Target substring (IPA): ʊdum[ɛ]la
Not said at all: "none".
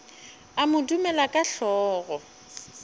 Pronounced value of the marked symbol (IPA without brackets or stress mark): ɛ